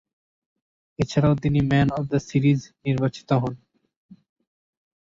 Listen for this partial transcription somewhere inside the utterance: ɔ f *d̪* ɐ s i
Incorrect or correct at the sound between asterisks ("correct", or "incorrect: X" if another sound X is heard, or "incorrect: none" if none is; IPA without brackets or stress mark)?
correct